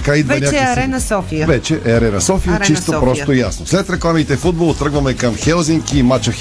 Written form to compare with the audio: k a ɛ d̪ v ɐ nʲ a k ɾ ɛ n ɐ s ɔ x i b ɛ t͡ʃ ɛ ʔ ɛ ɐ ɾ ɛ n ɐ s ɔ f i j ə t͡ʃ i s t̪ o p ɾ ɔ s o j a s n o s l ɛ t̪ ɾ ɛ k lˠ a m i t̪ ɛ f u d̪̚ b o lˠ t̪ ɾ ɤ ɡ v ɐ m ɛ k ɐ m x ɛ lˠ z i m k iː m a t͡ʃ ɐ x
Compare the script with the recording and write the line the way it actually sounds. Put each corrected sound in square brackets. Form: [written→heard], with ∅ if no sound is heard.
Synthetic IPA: k a [ɛ→i] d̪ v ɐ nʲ a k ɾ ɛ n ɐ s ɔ [x→f] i [b→v] ɛ t͡ʃ ɛ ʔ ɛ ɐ ɾ ɛ n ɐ s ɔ f i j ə t͡ʃ i s t̪ o p ɾ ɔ s o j a s n o s l ɛ t̪ ɾ ɛ k lˠ a m i t̪ ɛ f u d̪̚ b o lˠ t̪ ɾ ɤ ɡ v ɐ m ɛ k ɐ m x ɛ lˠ z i [m→ŋ] k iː m a t͡ʃ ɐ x